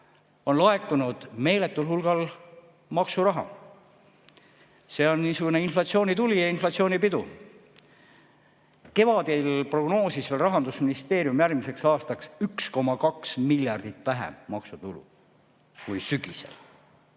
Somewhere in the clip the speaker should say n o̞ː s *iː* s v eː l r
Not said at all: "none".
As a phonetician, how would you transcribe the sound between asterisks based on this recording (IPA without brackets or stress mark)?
i